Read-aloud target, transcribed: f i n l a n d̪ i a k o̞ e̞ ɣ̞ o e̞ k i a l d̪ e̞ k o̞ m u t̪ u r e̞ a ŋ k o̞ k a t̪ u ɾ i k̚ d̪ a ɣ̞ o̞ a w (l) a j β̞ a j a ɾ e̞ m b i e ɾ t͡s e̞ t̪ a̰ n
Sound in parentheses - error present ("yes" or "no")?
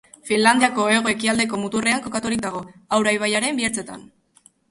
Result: yes